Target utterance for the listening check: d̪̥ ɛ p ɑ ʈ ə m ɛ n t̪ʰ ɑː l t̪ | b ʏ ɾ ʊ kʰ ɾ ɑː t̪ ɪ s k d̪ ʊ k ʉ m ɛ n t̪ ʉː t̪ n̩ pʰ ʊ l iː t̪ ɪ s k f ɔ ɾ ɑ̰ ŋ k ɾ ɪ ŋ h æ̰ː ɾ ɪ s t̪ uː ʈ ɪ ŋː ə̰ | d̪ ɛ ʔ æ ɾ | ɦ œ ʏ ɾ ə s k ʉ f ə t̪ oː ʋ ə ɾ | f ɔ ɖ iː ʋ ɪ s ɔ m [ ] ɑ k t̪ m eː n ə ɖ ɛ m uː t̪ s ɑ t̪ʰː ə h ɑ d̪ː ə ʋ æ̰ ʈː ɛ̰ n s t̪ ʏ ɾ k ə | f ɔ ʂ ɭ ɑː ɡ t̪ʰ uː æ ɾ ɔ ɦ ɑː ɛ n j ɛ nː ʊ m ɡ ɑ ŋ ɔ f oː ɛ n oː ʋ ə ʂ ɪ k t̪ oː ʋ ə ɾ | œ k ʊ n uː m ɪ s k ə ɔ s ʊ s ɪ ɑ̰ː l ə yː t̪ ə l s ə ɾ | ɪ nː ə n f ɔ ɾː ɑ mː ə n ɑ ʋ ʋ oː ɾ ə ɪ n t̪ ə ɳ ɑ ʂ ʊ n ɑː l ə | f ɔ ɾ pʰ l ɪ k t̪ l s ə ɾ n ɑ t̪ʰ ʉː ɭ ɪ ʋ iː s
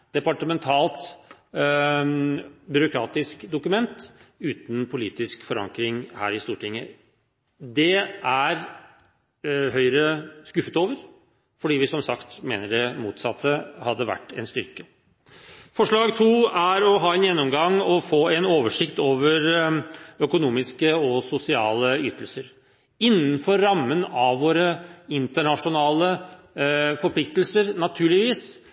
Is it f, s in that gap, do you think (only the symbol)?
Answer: s